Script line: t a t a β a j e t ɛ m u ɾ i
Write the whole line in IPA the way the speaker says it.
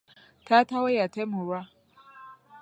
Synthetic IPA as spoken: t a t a w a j a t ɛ m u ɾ a

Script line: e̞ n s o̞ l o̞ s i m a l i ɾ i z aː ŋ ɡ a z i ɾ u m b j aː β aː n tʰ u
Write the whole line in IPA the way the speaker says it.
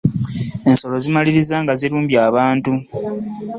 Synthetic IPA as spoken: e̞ n s o̞ l o̞ z i m a l i ɾ i z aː ŋ ɡ a z i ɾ uː m b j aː β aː n t u

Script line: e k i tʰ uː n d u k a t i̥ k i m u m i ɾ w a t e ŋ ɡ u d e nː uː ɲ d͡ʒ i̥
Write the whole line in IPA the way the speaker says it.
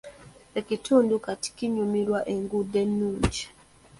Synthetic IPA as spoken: e k i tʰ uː n d u k a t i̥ k i ɲ u m i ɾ w a ʔ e ŋ ɡ u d e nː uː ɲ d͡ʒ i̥

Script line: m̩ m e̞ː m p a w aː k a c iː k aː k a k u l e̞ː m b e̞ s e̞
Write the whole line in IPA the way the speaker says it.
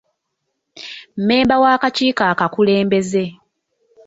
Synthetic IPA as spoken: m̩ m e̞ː m b a w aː k a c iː k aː k a k u l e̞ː m b e̞ z e̞

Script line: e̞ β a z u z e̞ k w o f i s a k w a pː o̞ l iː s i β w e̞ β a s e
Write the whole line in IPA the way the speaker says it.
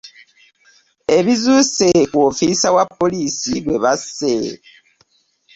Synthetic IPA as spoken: e̞ β i z u s e̞ k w o f i s a w a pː o̞ l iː s i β w e̞ β a s e

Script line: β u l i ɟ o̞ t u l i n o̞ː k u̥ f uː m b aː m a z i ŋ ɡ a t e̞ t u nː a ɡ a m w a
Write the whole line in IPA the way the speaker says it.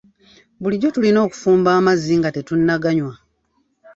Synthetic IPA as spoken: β u l i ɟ o̞ t u l i n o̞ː k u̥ f uː m b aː m a z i ŋ ɡ a t e̞ t u nː a ɡ a ɲ w a

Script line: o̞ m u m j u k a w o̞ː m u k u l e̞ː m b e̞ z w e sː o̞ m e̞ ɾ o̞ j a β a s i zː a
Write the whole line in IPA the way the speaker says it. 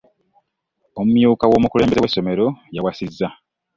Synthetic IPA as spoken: o̞ m u m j uː k a w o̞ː m u k u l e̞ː m b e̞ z w e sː o̞ m e̞ ɾ o̞ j a w a s i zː a

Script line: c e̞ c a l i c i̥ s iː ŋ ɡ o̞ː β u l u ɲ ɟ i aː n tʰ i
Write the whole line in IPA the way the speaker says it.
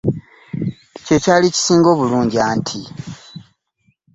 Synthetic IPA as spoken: c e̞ c a l i c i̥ s iː ŋ ɡ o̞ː β u l uː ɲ ɟ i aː n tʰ i

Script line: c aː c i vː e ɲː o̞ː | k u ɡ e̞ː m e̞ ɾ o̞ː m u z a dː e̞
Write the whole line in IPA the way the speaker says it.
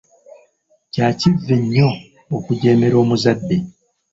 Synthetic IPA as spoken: c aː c i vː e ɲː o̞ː | k u ɟ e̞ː m e̞ ɾ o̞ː m u z a dː e̞

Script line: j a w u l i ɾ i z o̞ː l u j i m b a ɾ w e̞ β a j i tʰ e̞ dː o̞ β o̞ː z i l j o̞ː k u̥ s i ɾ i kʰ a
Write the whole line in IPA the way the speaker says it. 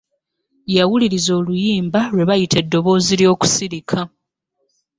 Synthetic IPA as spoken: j a w u l i ɾ i z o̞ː l u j iː m b a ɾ w e̞ β a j i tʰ e̞ dː o̞ β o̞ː z i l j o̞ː k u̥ s i ɾ i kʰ a

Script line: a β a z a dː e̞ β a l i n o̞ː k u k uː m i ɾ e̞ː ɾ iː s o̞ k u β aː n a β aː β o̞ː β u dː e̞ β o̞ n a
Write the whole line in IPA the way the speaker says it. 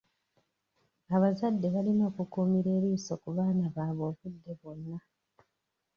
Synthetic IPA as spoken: a β a z a dː e̞ β a l i n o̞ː k u k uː m i ɾ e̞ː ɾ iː s o̞ k u β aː n a β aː β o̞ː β u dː e̞ β o̞ nː a

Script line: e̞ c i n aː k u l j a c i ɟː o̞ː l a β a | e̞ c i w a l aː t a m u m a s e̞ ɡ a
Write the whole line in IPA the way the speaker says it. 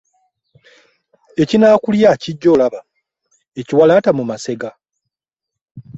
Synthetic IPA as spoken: e̞ c i n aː k u l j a c i ɟː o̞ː l a β a | e̞ c i w a l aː t a m u m a s e̞ ɡ a

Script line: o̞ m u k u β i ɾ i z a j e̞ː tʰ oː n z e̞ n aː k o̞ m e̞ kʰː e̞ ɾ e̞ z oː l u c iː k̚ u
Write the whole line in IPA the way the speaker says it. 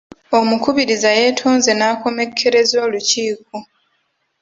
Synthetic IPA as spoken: o̞ m u k u β i ɾ i z a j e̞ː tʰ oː n z e̞ n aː k o̞ m e̞ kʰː e̞ ɾ e̞ z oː l u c iː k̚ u

